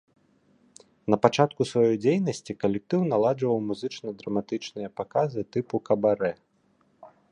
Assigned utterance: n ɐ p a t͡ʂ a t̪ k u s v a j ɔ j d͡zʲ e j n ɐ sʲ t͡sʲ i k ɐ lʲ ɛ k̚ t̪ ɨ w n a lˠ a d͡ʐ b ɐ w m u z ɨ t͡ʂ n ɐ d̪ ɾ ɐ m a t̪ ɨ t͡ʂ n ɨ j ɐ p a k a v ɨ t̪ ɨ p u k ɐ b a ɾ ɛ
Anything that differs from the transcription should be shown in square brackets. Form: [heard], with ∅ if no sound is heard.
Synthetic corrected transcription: n ɐ p a t͡ʂ a t̪ k u s v a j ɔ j d͡zʲ e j n ɐ sʲ t͡sʲ i k ɐ lʲ ɛ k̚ t̪ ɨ w n a lˠ a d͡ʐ [v] ɐ w m u z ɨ t͡ʂ n ɐ d̪ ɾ ɐ m a t̪ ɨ t͡ʂ n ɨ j ɐ p a k a [z] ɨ t̪ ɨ p u k ɐ b a ɾ ɛ

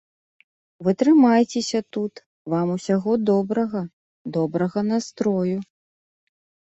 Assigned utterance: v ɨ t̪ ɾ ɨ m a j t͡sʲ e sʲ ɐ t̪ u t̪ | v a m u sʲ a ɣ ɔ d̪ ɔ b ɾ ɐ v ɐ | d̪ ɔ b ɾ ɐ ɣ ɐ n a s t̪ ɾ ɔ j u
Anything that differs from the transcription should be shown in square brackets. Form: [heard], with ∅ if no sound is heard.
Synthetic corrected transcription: v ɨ t̪ ɾ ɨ m a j t͡sʲ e sʲ ɐ t̪ u t̪ | v a m u sʲ a ɣ ɔ d̪ ɔ b ɾ ɐ [ɣ] ɐ | d̪ ɔ b ɾ ɐ ɣ ɐ n a s t̪ ɾ ɔ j u

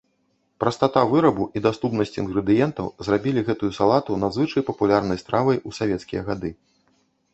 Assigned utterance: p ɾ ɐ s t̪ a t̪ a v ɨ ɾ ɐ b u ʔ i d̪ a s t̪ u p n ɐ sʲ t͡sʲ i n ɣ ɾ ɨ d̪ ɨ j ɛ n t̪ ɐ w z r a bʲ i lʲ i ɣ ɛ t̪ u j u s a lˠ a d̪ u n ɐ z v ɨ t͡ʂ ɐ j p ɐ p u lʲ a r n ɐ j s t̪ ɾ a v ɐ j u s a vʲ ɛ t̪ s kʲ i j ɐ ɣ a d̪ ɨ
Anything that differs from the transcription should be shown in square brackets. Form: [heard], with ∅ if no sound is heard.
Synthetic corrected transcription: p ɾ ɐ s t̪ a t̪ a v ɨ ɾ ɐ b u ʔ i d̪ a s t̪ u p n ɐ sʲ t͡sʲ i n ɣ ɾ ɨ d̪ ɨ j ɛ n t̪ ɐ w z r a bʲ i lʲ i ɣ ɛ t̪ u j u s a lˠ a [t̪] u n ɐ z v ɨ t͡ʂ ɐ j p ɐ p u lʲ a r n ɐ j s t̪ ɾ a v ɐ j u s a vʲ ɛ t̪ s kʲ i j ɐ ɣ a d̪ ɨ

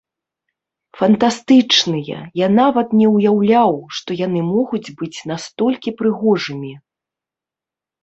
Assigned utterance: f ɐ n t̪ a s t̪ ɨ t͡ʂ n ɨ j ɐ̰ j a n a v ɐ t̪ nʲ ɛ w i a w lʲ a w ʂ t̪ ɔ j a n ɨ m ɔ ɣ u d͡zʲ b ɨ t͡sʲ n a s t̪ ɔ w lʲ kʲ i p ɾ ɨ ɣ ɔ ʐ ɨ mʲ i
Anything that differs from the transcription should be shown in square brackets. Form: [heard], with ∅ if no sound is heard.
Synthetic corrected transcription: f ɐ n t̪ a s t̪ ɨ t͡ʂ n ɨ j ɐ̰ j a n a v ɐ t̪ nʲ ɛ w [j] a w lʲ a w ʂ t̪ ɔ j a n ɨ m ɔ ɣ u d͡zʲ b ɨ t͡sʲ n a s t̪ ɔ [∅] lʲ kʲ i p ɾ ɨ ɣ ɔ ʐ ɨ mʲ i

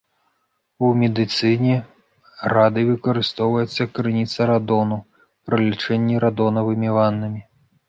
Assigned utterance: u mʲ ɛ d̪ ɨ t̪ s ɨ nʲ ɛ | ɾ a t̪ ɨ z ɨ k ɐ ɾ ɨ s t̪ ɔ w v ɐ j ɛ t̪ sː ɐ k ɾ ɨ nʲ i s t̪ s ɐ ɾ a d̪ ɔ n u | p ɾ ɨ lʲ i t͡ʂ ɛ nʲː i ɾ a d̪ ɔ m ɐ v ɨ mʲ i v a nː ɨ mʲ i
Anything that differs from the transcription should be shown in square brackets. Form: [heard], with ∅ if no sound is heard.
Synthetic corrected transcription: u mʲ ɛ d̪ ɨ t̪ s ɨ nʲ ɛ | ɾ a [d̪] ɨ [v] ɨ k ɐ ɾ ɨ s t̪ ɔ w v ɐ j ɛ t̪ sː ɐ k ɾ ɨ nʲ i [∅] t̪ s ɐ ɾ a d̪ ɔ n u | p ɾ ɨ lʲ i t͡ʂ ɛ nʲː i ɾ a d̪ ɔ [n] ɐ v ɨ mʲ i v a nː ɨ mʲ i

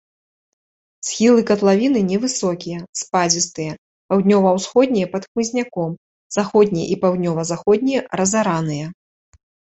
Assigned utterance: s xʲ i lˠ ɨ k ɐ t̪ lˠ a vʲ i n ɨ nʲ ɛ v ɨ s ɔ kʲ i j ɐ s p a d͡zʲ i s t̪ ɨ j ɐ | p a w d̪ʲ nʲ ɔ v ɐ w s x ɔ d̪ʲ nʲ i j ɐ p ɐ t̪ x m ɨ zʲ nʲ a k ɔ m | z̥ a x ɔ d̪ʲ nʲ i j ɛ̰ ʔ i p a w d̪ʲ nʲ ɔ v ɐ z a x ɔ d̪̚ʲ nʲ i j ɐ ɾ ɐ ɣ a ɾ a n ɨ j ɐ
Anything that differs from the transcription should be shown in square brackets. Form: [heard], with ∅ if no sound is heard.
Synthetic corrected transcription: s xʲ i lˠ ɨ k ɐ t̪ lˠ a vʲ i n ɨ nʲ ɛ v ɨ s ɔ kʲ i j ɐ s p a d͡zʲ i s t̪ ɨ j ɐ | p a w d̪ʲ nʲ ɔ v ɐ w s x ɔ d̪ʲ nʲ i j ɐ p ɐ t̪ x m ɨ zʲ nʲ a k ɔ m | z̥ a x ɔ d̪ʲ nʲ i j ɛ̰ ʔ i p a w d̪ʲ nʲ ɔ v ɐ z a x ɔ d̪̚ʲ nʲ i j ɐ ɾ ɐ [z] a ɾ a n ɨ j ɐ

